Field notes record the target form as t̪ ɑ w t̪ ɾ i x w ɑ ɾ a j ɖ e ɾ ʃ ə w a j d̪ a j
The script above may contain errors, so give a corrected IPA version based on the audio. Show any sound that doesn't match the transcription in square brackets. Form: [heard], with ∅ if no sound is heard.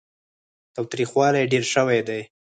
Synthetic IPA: t̪ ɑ w t̪ ɾ i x w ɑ [l] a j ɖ e ɾ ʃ ə w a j d̪ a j